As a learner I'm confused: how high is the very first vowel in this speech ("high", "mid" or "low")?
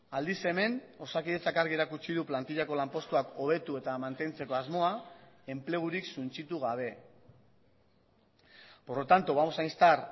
low